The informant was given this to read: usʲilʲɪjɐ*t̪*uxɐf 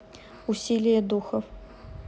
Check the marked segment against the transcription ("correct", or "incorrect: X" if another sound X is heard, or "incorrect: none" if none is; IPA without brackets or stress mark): incorrect: d̪